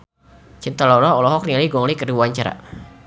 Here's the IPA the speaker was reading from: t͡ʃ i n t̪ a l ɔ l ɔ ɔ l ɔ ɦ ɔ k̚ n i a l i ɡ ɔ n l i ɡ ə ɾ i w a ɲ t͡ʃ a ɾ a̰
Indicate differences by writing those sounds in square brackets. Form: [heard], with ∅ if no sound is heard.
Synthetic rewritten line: t͡ʃ i n t̪ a l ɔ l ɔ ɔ l ɔ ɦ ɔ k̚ n i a l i ɡ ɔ [ŋ] l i [k] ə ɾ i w a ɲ t͡ʃ a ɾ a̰